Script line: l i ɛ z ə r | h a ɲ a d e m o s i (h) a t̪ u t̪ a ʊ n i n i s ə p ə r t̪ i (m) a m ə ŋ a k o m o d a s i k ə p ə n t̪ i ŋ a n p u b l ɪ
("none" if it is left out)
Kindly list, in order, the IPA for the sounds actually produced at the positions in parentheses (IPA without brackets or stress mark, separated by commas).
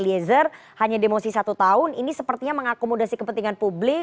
s, ɲ